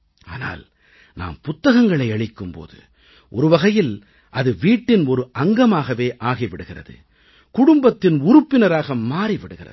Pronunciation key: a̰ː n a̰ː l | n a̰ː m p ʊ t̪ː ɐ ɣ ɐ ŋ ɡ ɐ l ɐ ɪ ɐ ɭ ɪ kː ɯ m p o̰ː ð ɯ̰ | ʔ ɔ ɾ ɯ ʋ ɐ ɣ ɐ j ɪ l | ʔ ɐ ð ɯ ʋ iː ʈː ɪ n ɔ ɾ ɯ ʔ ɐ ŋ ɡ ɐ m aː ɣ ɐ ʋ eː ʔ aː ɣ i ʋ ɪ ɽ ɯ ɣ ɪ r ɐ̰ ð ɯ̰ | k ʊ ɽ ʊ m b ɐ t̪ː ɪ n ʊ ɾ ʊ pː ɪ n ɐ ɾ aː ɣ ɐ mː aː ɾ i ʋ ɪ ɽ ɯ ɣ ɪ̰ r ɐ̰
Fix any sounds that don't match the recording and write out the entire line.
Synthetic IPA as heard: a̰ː n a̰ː l | n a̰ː m p ʊ t̪ː ɐ ɣ ɐ ŋ ɡ ɐ ɭ ɐ ɪ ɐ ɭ ɪ kː ɯ m p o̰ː ð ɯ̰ | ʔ ɔ ɾ ɯ ʋ ɐ ɣ ɐ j ɪ l | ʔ ɐ ð ɯ ʋ iː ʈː ɪ n ɔ ɾ ɯ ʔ ɐ ŋ ɡ ɐ m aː ɣ ɐ ʋ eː ʔ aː ɣ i ʋ ɪ ɽ ɯ ɣ ɪ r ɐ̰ ð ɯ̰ | k ʊ ɽ ʊ m b ɐ t̪ː ɪ n ʊ ɾ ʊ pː ɪ n ɐ ɾ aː ɣ ɐ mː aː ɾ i ʋ ɪ ɽ ɯ ɣ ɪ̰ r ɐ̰